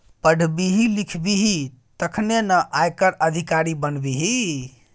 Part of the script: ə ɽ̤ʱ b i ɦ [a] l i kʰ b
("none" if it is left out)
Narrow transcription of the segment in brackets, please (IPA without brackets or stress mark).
i